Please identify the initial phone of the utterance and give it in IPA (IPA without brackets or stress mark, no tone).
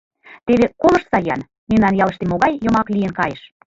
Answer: t̪